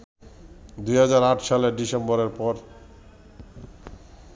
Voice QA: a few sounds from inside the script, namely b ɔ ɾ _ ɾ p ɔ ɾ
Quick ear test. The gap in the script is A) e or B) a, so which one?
A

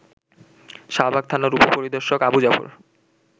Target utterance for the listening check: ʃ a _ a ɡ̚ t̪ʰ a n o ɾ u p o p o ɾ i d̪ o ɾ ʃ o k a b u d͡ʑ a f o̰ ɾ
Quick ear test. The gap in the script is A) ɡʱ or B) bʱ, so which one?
B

